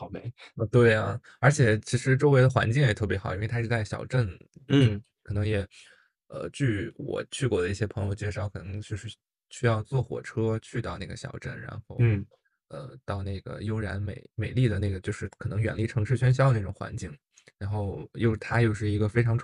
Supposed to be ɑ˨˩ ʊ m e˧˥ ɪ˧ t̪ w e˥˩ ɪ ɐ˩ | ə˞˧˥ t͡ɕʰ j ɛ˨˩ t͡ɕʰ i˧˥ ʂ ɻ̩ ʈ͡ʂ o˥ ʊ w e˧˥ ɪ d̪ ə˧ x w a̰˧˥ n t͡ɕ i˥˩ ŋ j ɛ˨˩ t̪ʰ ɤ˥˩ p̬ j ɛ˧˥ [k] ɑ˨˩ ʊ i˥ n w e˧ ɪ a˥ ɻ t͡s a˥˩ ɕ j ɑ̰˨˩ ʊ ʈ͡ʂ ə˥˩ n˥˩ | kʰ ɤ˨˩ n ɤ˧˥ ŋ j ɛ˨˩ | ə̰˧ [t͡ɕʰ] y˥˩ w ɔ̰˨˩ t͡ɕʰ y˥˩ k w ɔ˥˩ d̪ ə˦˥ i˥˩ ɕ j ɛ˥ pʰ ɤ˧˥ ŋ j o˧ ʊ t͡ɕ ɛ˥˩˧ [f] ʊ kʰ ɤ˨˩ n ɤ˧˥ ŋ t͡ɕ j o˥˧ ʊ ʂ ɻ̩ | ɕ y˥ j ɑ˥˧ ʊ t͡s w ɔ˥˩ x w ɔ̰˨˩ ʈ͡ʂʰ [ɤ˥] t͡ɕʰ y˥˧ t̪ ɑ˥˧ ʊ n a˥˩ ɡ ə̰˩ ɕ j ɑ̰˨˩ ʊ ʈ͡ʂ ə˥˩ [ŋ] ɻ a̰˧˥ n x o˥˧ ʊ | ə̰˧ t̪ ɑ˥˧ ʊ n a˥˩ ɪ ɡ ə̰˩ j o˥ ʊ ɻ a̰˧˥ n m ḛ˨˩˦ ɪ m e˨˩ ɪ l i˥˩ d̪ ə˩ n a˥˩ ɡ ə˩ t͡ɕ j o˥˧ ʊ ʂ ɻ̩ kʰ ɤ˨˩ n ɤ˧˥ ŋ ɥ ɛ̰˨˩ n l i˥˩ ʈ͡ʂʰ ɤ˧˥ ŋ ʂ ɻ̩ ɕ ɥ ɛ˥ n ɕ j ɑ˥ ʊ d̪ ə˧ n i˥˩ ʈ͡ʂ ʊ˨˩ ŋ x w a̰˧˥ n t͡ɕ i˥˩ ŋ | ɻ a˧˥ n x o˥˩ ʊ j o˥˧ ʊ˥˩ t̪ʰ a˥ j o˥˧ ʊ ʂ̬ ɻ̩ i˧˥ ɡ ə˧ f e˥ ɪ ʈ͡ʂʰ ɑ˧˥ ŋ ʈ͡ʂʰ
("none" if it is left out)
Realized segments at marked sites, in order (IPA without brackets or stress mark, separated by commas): x, t͡ɕ, ʂ, ɤ˥, n